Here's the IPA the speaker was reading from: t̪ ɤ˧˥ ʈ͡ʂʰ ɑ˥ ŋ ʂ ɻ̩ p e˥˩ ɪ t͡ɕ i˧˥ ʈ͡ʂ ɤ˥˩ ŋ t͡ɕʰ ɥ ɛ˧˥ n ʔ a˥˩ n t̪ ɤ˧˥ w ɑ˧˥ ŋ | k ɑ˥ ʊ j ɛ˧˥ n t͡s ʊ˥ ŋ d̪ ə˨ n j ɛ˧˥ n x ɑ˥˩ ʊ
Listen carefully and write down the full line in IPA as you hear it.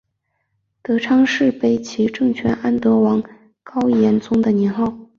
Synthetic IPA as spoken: t̪ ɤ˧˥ ʈ͡ʂʰ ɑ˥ ŋ ʂ ɻ̩ p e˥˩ ɪ t͡ɕʰ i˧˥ ʈ͡ʂ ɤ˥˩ ŋ t͡ɕʰ ɥ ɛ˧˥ n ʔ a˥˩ n t̪ ɤ˧˥ w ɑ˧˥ ŋ | k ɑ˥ ʊ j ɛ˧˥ n t͡s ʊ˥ ŋ d̪ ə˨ n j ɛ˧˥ n x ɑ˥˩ ʊ

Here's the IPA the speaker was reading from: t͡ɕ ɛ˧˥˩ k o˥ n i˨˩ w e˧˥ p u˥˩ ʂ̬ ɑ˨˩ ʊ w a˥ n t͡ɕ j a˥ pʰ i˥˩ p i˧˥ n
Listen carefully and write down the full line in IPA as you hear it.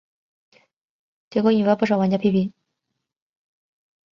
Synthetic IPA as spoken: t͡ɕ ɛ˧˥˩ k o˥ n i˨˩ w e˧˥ p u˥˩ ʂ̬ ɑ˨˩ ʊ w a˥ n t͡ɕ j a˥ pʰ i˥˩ p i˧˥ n

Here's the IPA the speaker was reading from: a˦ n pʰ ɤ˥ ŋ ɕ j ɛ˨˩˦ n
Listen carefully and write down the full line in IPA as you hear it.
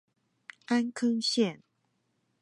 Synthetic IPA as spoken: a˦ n kʰ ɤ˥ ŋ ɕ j ɛ˥˨ n

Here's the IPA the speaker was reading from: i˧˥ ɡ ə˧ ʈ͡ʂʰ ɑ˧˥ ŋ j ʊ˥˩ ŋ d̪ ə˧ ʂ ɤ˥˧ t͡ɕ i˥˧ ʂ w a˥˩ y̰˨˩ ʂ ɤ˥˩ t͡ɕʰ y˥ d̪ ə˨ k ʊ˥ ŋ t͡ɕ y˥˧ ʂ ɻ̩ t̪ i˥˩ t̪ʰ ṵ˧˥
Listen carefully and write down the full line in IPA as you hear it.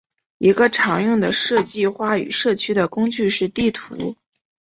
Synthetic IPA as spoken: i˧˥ ɡ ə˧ ʈ͡ʂʰ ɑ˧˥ ŋ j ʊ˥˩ ŋ d̪ ə˩ ʂ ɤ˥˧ t͡ɕ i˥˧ x w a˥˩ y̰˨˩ ʂ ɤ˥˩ t͡ɕʰ y˥ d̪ ə˨ k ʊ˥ ŋ t͡ɕ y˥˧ ʂ ɻ̩ t̪ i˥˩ t̪ʰ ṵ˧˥

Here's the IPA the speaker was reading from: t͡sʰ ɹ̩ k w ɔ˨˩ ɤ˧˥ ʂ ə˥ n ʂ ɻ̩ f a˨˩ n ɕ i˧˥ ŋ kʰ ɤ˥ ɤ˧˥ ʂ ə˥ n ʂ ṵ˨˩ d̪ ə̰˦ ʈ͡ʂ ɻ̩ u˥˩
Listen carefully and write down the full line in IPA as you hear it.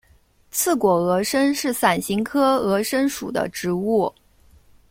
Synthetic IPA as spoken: t͡sʰ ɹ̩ k w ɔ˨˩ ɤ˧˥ ʂ ə˥ n ʂ ɻ̩ s a˨˩ n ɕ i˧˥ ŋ kʰ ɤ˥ ɤ˧˥ ʂ ə˥ n ʂ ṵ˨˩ d̪ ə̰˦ ʈ͡ʂ ɻ̩ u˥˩

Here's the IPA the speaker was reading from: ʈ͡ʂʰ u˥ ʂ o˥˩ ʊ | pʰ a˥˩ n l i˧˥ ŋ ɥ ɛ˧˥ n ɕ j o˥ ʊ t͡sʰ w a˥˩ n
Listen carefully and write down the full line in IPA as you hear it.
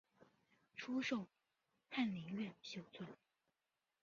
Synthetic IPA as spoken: ʈ͡ʂʰ u˥ ʂ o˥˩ ʊ | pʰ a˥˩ n l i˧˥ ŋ ɥ ɛ˥˩ n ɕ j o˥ ʊ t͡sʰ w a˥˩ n

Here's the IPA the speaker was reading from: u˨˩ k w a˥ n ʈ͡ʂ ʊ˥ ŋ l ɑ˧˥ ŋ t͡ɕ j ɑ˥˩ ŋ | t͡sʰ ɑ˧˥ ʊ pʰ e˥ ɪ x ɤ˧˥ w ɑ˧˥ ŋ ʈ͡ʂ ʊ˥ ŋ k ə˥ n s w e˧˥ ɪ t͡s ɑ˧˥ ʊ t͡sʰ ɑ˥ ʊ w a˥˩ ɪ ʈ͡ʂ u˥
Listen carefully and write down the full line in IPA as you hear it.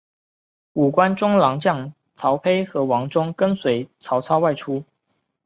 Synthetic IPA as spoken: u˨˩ k w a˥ n ʈ͡ʂ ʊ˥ ŋ l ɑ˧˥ ŋ t͡ɕ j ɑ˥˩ ŋ | t͡sʰ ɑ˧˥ ʊ pʰ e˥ ɪ x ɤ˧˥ w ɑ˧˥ ŋ ʈ͡ʂ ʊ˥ ŋ k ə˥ n s w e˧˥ ɪ t͡sʰ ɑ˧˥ ʊ t͡sʰ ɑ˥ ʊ w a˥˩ ɪ ʈ͡ʂʰ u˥

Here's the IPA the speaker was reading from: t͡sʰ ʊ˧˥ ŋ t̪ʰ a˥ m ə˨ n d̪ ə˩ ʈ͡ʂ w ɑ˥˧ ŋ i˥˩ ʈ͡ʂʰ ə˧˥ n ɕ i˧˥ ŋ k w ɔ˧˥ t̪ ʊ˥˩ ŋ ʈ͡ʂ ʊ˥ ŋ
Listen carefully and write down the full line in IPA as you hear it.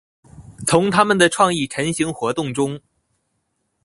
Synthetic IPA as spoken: t͡sʰ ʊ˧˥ ŋ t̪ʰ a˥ m ə˨ n d̪ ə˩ ʈ͡ʂʰ w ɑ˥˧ ŋ i˥˩ ʈ͡ʂʰ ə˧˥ n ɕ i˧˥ ŋ x w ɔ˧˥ t̪ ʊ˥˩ ŋ ʈ͡ʂ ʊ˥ ŋ

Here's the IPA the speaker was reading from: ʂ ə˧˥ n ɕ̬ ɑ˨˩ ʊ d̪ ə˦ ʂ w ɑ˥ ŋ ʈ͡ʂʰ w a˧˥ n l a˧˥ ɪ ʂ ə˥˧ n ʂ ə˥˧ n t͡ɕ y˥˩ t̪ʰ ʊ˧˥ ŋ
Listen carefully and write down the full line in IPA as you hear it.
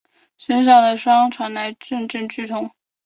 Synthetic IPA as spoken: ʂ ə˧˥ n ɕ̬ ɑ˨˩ ʊ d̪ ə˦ ʂ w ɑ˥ ŋ ʈ͡ʂʰ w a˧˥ n l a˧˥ ɪ ʈ͡ʂ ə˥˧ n ʈ͡ʂ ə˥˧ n t͡ɕ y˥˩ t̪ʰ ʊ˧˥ ŋ

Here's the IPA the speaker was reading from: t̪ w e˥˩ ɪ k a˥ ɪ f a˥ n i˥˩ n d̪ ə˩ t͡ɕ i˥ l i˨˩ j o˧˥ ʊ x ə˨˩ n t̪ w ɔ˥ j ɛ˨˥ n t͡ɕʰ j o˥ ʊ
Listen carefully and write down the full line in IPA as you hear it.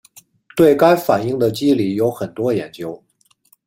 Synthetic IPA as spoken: t̪ w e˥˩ ɪ k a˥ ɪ f a˨˩ n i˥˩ ŋ d̪ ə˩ t͡ɕ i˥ l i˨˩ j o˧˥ ʊ x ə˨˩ n t̪ w ɔ˥ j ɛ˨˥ n t͡ɕ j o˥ ʊ

